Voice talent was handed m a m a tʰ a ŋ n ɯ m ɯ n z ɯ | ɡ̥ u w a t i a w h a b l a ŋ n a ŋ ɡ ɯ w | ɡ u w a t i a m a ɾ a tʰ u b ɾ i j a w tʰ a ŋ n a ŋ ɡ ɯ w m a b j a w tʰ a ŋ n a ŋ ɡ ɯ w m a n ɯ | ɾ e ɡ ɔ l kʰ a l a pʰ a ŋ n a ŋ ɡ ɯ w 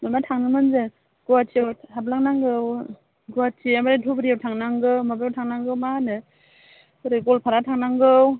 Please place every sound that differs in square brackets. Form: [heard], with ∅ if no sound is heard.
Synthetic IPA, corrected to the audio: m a m a tʰ a ŋ n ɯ m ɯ n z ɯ | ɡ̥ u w a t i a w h a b l a ŋ n a ŋ ɡ ɯ w | ɡ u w a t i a m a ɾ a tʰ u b ɾ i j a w tʰ a ŋ n a ŋ ɡ ɯ w m a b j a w tʰ a ŋ n a ŋ ɡ ɯ w m a n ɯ | ɾ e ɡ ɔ l [pʰ] a [ɾ] a [tʰ] a ŋ n a ŋ ɡ ɯ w